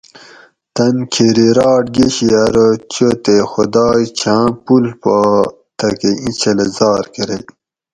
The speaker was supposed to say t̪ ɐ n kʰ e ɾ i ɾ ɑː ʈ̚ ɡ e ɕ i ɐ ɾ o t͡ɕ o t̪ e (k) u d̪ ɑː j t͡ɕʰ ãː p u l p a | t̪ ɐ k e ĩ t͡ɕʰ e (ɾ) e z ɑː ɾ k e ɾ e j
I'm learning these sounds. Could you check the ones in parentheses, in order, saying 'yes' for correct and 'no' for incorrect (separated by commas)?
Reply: no, no